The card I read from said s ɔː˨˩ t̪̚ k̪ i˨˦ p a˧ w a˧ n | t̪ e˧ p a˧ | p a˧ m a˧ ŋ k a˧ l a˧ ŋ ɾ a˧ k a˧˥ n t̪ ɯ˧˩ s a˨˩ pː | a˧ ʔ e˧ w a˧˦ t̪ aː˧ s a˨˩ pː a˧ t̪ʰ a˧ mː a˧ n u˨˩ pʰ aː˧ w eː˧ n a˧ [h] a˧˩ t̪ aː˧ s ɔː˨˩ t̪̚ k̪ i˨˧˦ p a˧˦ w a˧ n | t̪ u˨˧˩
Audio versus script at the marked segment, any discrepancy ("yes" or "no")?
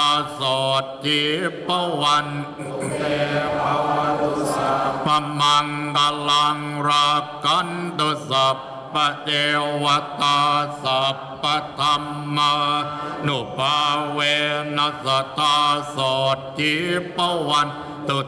yes